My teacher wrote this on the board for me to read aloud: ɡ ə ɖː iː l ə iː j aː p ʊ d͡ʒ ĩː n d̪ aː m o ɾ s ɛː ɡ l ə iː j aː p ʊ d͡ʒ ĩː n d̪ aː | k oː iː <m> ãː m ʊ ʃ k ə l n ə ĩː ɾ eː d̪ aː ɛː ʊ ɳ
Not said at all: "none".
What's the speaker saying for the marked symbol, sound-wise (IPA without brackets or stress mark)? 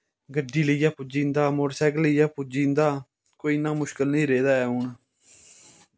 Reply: n